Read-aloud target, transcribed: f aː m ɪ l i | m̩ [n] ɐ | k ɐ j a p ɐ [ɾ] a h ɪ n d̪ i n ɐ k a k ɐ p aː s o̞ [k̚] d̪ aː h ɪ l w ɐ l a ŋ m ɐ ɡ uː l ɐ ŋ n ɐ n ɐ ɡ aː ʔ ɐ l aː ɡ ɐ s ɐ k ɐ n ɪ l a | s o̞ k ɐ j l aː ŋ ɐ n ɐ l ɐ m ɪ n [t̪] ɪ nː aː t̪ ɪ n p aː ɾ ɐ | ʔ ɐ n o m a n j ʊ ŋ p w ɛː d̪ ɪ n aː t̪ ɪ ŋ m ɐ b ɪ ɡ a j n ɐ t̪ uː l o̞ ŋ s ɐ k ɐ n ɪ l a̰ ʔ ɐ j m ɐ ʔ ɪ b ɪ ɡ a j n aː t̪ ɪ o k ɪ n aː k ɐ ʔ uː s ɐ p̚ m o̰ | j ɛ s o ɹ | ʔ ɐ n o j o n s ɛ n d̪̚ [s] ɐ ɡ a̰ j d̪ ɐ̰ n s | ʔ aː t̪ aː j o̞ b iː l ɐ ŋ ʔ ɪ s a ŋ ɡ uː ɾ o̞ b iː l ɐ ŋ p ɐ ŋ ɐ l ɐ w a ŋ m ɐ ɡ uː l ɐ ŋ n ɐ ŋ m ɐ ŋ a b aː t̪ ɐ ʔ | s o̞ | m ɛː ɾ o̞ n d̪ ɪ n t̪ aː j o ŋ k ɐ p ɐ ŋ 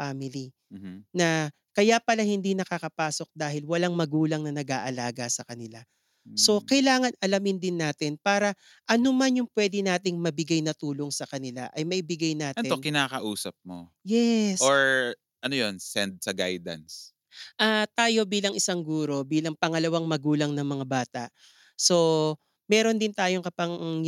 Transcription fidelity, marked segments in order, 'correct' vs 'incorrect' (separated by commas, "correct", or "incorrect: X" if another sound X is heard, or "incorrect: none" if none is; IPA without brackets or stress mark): correct, incorrect: l, correct, incorrect: d̪, correct